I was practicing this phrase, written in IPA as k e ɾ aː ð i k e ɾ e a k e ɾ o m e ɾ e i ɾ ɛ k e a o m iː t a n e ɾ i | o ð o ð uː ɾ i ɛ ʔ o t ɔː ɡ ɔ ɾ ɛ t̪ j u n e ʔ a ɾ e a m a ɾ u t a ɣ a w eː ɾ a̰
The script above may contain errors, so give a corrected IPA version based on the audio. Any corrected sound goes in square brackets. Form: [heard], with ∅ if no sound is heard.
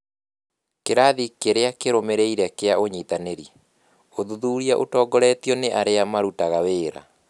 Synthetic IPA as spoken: k e ɾ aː ð i k e ɾ e a k e ɾ o m e ɾ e i ɾ ɛ k e a o [ɲ] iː t a n e ɾ i | o ð [u] ð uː ɾ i [a] ʔ o t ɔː ɡ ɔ ɾ ɛ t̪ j [ɔ] n e ʔ a ɾ e a m a ɾ u t a ɣ a w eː ɾ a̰